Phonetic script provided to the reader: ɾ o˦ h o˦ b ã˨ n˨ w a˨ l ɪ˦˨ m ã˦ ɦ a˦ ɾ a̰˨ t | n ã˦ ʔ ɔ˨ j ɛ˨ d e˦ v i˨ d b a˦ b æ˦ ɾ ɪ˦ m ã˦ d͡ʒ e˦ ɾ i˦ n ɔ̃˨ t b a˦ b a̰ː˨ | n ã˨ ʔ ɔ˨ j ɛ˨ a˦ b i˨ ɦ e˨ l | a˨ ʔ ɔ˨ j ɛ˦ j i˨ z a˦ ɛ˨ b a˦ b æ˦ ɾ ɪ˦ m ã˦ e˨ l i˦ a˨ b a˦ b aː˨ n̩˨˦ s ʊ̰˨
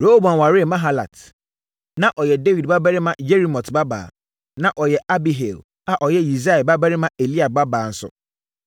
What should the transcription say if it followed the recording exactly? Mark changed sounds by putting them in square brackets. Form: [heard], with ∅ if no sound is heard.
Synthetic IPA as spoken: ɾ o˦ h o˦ b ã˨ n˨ w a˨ [ɾ] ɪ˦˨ m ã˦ ɦ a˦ [l] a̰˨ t | n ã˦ ʔ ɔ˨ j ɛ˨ d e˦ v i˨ d b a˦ b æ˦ ɾ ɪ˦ m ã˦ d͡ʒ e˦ ɾ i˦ [m] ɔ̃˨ t b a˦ b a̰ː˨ | n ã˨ ʔ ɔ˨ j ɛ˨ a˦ b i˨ ɦ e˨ l | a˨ ʔ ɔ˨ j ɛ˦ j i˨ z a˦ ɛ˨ b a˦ b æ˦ ɾ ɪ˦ m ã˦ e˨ l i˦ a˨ b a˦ b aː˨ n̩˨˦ s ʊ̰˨